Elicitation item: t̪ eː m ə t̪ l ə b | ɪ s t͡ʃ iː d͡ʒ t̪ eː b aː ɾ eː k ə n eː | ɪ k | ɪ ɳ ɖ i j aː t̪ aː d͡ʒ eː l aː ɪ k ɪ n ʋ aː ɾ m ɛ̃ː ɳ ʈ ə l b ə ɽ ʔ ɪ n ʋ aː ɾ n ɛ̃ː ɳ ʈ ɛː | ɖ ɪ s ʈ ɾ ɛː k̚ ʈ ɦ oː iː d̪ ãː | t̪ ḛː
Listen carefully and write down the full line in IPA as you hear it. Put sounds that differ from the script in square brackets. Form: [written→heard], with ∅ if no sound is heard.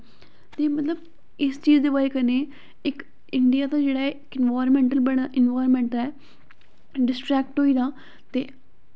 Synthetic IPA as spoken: t̪ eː m ə t̪ l ə b | ɪ s t͡ʃ iː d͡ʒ [t̪→d̪] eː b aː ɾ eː k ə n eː | ɪ k | ɪ ɳ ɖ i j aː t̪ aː d͡ʒ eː [l→ɽ] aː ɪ k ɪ n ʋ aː ɾ m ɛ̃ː ɳ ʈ ə l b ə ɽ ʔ ɪ n ʋ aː ɾ [n→m] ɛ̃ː ɳ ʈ ɛː | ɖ ɪ s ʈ ɾ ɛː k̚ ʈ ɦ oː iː d̪ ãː | t̪ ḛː